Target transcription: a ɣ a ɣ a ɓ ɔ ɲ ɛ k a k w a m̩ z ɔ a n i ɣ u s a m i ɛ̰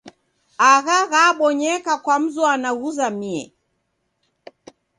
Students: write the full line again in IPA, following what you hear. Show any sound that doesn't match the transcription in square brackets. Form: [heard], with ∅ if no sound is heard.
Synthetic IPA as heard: a ɣ a ɣ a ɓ ɔ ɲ ɛ k a k w a m̩ z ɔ a n [a] ɣ u [z] a m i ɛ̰